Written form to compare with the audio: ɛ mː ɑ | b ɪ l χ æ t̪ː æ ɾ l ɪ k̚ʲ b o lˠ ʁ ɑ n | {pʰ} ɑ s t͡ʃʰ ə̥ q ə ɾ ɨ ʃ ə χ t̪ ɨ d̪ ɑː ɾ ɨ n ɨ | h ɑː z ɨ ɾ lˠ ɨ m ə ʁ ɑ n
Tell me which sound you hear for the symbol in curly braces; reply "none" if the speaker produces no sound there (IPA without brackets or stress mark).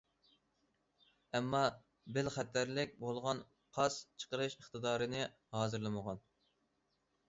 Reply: qʰ